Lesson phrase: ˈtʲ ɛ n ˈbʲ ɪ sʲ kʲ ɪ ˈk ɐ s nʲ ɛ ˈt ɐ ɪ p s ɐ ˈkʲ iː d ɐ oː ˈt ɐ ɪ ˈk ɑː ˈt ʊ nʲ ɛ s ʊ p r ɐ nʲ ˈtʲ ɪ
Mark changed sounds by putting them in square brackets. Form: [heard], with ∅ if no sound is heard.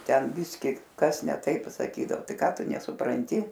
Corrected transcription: ˈtʲ ɛ n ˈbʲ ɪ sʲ kʲ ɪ ˈk ɐ s nʲ ɛ ˈt ɐ ɪ p s ɐ ˈkʲ iː d ɐ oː ˈt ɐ ɪ ˈk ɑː ˈt ʊ nʲ ɛ s ʊ p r ɐ nʲ ˈtʲ ɪ